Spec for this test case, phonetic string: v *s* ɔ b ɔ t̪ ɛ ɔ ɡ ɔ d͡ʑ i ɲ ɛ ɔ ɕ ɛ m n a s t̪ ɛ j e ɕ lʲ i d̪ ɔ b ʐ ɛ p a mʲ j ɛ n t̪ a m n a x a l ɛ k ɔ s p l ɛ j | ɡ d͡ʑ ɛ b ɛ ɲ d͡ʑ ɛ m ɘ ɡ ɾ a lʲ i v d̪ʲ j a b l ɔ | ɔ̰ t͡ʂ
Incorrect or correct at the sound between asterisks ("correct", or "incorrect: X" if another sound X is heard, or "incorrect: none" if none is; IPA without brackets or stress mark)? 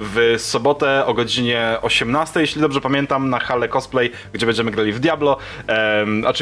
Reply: correct